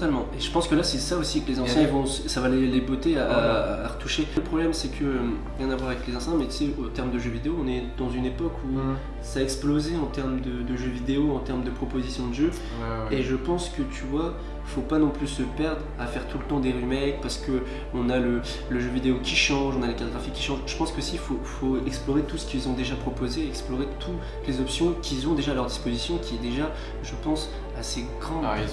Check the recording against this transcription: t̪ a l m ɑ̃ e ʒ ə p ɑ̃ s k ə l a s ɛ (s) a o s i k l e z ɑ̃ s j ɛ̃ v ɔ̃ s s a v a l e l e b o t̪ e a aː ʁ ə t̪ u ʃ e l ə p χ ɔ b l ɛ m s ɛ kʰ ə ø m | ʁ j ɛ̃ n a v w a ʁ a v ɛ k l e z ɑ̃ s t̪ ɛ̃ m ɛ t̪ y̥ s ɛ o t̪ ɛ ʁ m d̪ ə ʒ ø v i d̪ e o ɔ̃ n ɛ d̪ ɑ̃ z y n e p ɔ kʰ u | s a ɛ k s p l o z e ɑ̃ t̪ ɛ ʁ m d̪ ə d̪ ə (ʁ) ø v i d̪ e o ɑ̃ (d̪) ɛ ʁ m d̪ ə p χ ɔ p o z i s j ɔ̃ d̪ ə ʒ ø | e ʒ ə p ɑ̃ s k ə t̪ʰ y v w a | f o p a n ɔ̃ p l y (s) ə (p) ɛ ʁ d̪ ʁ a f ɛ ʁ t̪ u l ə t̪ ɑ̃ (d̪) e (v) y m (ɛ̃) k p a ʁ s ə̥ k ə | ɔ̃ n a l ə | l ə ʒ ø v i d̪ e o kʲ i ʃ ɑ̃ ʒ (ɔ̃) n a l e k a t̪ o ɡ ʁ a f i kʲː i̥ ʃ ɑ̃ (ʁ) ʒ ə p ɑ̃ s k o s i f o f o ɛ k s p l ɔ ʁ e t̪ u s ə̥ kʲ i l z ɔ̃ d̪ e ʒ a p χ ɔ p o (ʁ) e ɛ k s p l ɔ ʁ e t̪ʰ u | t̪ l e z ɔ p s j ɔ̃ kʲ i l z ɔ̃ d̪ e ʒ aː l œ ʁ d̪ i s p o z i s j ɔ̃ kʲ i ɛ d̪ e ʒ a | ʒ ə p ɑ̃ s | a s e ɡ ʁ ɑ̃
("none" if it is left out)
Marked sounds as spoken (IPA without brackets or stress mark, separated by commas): s, ʒ, t̪, s, p, d̪, ʁ, ɛ, ɔ̃, ʒ, z